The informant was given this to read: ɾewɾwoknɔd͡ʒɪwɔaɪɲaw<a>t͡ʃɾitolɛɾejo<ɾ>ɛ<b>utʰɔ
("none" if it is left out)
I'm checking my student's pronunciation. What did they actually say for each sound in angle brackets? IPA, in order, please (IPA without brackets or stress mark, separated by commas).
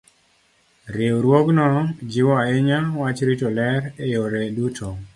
a, ɾ, d